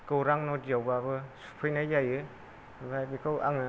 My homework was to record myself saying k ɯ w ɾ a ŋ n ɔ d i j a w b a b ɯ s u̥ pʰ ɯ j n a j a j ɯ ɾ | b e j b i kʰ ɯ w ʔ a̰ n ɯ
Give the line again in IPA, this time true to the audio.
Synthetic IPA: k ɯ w ɾ a ŋ n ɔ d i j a w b a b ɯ s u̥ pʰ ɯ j n a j a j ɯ | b a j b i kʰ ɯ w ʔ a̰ ŋ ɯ